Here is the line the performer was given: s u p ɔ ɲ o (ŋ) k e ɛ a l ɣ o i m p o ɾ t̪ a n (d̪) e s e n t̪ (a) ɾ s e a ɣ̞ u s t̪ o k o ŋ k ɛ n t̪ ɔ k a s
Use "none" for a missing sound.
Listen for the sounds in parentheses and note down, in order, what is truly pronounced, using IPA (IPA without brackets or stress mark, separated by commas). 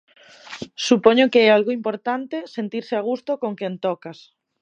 none, t̪, i